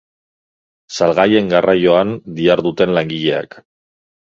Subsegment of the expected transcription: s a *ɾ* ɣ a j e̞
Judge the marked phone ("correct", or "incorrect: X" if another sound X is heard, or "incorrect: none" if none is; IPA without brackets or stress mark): incorrect: l